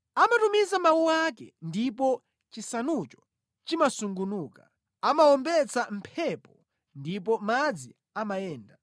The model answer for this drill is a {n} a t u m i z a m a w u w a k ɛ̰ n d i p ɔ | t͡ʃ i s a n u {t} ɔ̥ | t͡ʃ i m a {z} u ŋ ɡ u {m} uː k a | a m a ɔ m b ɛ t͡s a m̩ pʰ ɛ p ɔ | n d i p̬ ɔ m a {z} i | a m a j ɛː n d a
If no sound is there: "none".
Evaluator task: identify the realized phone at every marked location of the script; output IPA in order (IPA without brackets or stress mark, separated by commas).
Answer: m, t͡ʃ, s, n, d͡z